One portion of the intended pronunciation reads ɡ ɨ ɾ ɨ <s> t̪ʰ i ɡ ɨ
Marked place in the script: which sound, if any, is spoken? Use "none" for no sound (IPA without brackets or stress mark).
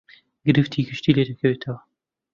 f